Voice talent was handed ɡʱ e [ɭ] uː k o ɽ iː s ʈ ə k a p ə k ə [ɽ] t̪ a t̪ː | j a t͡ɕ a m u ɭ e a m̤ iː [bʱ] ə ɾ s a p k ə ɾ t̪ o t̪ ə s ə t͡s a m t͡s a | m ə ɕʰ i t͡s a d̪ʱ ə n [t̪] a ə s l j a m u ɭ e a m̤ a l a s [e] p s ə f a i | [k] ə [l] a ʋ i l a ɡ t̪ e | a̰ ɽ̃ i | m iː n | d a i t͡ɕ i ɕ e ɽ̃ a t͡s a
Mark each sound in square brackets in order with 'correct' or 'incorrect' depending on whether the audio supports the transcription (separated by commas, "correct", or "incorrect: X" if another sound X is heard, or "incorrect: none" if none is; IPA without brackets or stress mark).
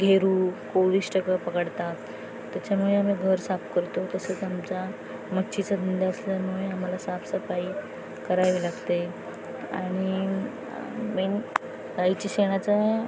incorrect: ɾ, correct, incorrect: ɡʱ, incorrect: d̪, incorrect: a, correct, incorrect: ɾ